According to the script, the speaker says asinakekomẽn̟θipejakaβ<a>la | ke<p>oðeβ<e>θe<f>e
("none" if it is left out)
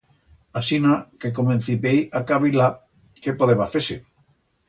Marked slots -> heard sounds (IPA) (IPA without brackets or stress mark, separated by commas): i, p, a, s